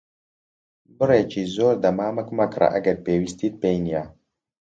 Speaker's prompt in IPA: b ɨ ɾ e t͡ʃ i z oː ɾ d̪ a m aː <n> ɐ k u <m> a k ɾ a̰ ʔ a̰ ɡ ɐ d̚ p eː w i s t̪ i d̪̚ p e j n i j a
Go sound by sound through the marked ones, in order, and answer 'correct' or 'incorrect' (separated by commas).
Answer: incorrect, correct